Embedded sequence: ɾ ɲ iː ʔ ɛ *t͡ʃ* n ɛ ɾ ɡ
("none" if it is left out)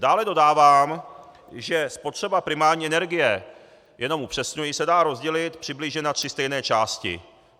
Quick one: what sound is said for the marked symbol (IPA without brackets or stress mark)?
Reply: none